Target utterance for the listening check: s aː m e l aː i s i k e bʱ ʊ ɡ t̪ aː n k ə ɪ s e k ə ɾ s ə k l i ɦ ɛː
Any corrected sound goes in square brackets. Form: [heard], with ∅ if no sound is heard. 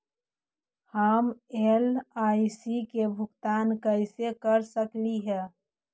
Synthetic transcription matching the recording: [h] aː m e l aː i s i k e bʱ ʊ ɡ t̪ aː n k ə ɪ s e k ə ɾ s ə k l i ɦ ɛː